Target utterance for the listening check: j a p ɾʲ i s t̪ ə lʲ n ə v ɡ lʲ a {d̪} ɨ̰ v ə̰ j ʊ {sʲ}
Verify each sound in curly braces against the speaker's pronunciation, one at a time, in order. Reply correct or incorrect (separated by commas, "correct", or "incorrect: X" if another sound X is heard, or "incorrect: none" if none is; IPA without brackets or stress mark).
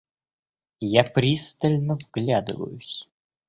correct, correct